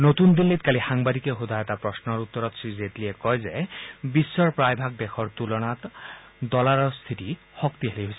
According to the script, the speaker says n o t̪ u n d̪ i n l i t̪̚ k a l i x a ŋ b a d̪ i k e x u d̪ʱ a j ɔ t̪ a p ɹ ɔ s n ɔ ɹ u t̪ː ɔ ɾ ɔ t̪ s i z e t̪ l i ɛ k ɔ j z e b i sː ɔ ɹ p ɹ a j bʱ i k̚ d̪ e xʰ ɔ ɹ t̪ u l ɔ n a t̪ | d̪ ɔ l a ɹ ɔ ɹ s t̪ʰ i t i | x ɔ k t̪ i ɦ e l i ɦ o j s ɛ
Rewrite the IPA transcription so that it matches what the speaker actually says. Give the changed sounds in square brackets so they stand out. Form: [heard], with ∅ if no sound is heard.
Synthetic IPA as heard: n o t̪ u n d̪ i n l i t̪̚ k a l i x a ŋ b a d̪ i k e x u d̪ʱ a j ɔ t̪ a p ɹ ɔ s n ɔ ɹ u t̪ː ɔ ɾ ɔ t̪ s i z e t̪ l i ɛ k ɔ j z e b i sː ɔ ɹ p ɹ a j bʱ [a] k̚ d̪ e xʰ ɔ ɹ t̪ u l ɔ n a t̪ | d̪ ɔ l a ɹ ɔ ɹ s t̪ʰ i t i | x ɔ k t̪ i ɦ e l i ɦ o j s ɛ